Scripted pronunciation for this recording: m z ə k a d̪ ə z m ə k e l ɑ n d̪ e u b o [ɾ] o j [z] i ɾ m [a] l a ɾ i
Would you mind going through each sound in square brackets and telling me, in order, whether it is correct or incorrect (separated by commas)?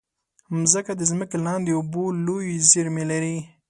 incorrect, correct, incorrect